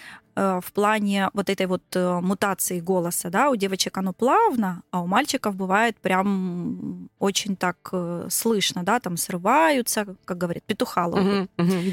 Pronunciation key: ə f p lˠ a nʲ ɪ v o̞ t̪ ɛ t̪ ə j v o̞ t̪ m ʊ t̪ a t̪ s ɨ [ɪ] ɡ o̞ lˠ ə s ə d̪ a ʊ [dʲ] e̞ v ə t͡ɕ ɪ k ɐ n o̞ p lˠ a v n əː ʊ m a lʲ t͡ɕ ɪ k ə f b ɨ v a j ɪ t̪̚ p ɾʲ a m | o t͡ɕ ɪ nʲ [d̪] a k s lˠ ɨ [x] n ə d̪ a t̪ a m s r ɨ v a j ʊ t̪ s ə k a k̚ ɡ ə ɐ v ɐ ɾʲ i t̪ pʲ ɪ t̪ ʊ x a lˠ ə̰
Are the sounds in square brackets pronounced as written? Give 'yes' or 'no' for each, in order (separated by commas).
yes, yes, no, no